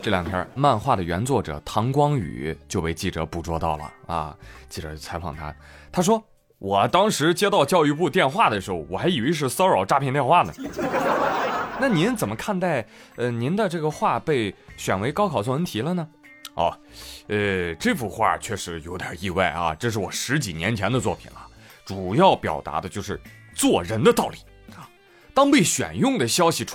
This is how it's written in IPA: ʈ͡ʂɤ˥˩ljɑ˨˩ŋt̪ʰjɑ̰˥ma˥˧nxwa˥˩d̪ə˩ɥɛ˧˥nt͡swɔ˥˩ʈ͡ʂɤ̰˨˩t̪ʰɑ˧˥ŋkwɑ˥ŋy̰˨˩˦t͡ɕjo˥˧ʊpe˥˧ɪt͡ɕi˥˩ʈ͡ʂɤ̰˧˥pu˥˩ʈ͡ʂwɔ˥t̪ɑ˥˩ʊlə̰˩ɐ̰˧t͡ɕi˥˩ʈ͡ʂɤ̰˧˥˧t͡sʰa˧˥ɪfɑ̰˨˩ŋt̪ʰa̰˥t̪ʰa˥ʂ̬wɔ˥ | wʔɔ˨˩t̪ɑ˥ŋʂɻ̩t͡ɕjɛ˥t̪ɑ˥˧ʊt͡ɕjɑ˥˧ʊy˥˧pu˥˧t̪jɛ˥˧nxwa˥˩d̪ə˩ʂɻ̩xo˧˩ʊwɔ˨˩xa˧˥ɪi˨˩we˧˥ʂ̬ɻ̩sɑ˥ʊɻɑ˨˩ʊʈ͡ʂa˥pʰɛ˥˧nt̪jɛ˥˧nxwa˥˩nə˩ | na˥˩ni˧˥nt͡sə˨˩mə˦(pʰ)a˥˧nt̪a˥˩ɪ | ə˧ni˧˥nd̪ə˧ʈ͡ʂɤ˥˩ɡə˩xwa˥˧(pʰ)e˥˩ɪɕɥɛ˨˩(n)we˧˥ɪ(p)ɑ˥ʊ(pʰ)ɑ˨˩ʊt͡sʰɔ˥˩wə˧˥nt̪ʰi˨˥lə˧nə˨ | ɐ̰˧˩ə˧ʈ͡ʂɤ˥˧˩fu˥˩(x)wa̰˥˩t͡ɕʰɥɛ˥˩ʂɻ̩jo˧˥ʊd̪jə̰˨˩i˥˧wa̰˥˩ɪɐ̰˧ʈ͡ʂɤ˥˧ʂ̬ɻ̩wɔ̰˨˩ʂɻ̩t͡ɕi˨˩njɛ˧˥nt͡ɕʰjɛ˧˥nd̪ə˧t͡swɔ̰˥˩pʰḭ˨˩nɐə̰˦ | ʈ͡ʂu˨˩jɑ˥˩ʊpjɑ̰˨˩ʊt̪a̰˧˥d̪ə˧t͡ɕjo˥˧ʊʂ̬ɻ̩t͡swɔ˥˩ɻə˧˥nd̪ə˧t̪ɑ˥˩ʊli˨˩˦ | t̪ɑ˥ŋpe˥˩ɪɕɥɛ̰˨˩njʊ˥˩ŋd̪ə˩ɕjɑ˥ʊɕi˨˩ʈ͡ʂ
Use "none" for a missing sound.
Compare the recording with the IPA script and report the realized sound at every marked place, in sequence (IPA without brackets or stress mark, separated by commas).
kʰ, p, n, k, kʰ, x